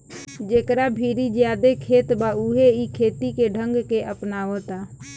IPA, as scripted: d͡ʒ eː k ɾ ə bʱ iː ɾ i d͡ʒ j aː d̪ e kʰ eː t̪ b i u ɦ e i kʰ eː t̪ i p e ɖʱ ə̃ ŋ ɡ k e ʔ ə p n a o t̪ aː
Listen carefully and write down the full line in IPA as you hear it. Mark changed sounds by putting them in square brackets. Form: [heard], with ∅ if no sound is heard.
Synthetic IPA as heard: d͡ʒ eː k ɾ [a] bʱ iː ɾ i d͡ʒ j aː d̪ e kʰ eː t̪ b [a] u ɦ e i kʰ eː t̪ i [k] e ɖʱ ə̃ ŋ ɡ k e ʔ ə p n a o t̪ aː